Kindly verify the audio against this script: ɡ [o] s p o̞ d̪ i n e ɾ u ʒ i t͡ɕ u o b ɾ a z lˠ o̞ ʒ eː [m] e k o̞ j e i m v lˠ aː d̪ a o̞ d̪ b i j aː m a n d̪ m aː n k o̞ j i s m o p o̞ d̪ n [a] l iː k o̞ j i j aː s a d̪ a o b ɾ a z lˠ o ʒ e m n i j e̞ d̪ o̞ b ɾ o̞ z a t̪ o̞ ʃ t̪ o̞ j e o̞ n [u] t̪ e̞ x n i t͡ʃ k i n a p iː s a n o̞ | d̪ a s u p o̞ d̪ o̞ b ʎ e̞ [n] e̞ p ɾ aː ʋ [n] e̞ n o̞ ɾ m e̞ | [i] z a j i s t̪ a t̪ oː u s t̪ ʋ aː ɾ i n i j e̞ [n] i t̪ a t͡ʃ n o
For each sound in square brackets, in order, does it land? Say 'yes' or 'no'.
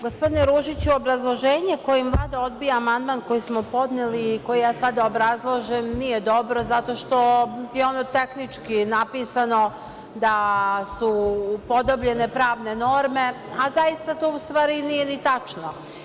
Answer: yes, no, no, no, yes, yes, no, yes

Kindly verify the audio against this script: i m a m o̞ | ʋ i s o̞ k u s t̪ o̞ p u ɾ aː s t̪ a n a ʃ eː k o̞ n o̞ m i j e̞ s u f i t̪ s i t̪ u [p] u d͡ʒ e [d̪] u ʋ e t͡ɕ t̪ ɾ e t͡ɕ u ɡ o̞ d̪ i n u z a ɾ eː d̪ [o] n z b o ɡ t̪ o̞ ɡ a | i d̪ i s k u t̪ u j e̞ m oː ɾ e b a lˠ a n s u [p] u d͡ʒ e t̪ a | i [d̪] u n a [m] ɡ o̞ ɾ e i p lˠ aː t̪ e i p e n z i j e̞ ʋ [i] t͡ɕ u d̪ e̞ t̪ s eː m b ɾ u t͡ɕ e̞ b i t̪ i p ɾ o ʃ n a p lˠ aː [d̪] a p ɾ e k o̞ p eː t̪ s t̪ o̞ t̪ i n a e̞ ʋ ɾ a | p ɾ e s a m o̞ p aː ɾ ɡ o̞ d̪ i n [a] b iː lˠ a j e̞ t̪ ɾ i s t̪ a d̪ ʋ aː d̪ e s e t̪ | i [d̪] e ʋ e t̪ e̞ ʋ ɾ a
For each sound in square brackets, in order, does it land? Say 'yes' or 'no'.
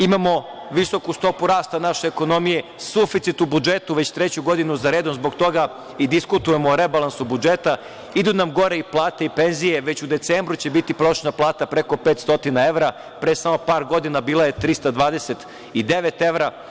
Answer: no, no, yes, no, yes, yes, no, no, yes, yes

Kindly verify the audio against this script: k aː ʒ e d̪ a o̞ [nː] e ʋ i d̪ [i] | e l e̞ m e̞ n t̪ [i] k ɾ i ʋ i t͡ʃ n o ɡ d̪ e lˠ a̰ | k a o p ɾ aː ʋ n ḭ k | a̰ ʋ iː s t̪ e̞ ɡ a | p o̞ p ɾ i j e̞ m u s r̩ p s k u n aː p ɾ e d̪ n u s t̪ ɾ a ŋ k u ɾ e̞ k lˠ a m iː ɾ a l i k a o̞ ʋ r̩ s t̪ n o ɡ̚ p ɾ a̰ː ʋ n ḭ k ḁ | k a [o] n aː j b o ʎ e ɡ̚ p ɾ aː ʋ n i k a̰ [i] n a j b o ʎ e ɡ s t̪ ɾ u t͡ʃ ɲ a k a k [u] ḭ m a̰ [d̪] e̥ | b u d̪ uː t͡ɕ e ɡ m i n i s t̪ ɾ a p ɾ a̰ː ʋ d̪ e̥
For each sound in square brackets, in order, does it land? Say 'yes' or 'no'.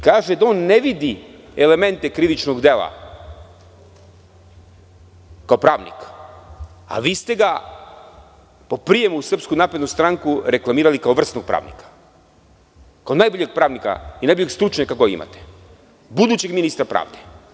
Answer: yes, yes, no, yes, yes, no, no

